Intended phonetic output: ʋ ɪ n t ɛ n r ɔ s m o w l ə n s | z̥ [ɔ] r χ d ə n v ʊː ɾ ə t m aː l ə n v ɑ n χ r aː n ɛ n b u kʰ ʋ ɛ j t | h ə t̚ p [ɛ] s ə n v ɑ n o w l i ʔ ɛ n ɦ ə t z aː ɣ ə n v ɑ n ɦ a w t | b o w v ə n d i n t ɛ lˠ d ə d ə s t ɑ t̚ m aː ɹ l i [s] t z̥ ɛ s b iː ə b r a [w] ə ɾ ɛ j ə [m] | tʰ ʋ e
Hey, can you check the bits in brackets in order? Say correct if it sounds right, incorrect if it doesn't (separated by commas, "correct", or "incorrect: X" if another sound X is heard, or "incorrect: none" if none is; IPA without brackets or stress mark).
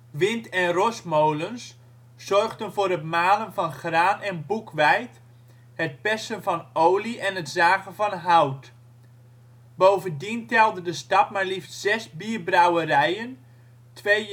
correct, correct, incorrect: f, correct, incorrect: n